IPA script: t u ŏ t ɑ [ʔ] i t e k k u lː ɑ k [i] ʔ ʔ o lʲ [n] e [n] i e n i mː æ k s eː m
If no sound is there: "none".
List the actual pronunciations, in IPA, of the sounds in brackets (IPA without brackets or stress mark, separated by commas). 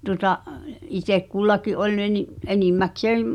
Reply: ʔ, i, n, n